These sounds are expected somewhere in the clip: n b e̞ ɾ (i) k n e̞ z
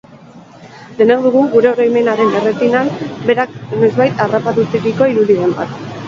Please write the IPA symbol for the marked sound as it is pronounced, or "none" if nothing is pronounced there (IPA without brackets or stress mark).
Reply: a